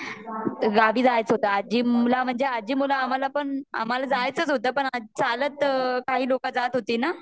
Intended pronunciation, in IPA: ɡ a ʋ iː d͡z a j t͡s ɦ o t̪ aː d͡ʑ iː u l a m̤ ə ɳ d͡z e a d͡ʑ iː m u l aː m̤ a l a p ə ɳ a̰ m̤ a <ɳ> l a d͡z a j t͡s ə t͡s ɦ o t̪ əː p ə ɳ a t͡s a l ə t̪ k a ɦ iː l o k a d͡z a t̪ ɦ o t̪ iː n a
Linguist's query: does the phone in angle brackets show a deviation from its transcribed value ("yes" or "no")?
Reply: yes